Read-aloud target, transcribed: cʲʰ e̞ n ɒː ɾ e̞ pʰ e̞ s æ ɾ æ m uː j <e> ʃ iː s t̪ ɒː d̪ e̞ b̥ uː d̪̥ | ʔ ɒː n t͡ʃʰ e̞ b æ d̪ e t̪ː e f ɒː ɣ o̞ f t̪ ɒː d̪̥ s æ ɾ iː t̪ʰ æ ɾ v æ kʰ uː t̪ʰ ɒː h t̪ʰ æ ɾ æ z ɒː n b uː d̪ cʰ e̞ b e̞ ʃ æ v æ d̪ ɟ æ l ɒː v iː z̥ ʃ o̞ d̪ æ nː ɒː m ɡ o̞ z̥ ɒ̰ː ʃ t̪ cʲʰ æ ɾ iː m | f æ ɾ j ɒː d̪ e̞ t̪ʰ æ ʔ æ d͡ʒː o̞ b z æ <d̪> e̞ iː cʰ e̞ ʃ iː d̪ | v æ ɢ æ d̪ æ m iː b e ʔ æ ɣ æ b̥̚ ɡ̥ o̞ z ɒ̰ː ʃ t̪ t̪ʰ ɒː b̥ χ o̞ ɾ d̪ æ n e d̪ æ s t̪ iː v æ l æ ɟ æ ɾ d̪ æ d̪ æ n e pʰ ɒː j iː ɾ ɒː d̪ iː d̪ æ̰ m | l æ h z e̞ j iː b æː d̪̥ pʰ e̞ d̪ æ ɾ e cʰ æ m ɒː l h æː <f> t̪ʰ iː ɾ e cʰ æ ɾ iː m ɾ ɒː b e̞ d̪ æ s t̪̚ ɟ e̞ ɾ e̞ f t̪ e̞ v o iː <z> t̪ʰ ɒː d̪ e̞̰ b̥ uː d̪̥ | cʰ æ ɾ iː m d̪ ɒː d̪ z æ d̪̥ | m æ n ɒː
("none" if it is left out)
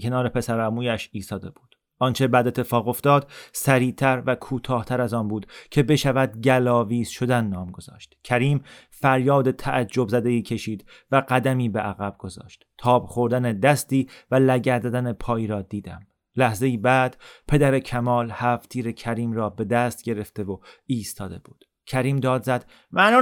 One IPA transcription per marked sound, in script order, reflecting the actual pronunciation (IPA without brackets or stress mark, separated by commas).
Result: æ, d̪, f, s